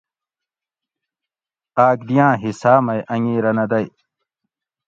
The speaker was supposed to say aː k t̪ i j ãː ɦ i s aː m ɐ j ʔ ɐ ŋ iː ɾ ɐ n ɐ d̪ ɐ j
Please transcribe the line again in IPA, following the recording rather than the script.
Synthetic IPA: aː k d̪ i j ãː ɦ i s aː m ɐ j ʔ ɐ ŋ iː ɾ ɐ n ɐ d̪ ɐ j